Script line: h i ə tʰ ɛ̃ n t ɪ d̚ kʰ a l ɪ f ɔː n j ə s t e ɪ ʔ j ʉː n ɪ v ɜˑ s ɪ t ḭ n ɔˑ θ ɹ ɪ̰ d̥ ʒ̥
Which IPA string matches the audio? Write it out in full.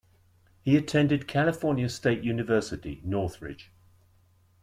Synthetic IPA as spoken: h i ə tʰ ɛ̃ n d ɪ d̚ kʰ a l ɪ f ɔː n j ə s t e ɪ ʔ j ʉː n ɪ v ɜˑ s ɪ t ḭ n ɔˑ θ ɹ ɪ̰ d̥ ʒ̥